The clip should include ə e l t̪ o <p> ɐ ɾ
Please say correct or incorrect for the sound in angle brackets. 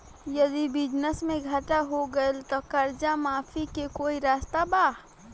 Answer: incorrect